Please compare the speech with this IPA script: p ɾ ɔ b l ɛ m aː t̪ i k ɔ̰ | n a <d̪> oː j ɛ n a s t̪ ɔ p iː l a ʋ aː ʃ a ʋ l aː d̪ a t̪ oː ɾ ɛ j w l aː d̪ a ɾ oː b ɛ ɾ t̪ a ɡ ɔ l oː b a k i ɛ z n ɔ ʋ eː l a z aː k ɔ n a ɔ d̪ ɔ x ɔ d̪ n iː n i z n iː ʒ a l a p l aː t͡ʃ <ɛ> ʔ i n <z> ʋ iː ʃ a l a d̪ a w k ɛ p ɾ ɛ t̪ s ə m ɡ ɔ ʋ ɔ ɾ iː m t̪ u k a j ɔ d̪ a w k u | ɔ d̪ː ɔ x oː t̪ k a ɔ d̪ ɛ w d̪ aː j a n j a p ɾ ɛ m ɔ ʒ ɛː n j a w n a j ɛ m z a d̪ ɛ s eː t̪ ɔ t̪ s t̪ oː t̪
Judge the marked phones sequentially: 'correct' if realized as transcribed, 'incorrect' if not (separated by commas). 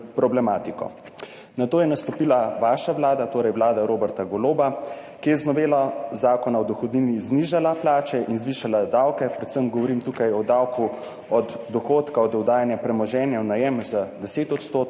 incorrect, correct, correct